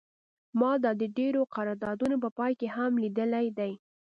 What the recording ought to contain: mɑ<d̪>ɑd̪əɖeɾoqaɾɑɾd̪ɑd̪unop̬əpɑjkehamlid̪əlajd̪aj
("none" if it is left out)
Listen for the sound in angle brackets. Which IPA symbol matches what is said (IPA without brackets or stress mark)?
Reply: d̪